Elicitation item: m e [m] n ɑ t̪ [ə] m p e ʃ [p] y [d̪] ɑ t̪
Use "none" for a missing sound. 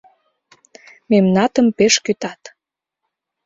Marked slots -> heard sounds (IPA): m, ə, k, t̪

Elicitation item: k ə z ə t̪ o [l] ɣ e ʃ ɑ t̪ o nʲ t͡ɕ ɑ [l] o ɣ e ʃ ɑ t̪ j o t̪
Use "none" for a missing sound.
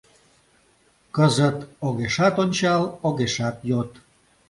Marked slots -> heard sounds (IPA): none, l

